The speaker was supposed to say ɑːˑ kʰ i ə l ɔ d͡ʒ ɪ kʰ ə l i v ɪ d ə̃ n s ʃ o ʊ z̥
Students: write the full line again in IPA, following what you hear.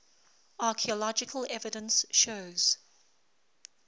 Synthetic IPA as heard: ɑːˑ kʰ i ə l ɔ d͡ʒ ɪ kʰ ə l ɛ v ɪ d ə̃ n s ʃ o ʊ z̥